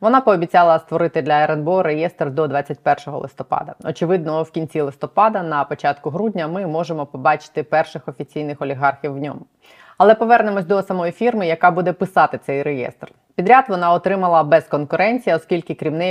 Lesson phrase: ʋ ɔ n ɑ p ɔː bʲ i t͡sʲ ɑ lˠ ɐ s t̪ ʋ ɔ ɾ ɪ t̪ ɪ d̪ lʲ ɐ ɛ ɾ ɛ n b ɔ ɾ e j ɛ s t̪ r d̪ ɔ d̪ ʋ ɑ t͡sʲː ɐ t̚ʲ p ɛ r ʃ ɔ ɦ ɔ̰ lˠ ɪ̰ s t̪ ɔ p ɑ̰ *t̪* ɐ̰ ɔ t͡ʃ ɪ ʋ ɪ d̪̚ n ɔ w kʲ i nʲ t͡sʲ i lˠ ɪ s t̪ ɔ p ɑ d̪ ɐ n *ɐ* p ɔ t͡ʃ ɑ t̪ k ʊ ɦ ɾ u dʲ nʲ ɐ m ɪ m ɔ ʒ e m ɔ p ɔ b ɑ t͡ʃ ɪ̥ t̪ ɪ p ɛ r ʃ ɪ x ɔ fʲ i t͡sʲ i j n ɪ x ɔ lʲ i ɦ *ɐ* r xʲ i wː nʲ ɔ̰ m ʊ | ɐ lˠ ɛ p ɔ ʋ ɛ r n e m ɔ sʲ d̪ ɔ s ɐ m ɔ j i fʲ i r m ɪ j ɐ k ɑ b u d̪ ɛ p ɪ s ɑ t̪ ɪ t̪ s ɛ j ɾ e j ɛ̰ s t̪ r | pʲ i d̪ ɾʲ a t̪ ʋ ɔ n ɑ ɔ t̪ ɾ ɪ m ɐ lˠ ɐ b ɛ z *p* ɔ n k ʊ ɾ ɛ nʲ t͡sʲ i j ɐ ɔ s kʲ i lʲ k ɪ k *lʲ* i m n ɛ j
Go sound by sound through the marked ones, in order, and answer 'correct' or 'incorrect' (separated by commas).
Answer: incorrect, correct, incorrect, incorrect, incorrect